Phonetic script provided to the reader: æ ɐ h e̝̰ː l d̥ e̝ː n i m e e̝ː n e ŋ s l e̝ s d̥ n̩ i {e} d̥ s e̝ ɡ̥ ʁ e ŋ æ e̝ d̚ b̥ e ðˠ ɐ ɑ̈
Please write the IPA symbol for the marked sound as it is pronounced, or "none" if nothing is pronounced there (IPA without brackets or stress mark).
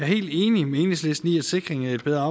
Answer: æ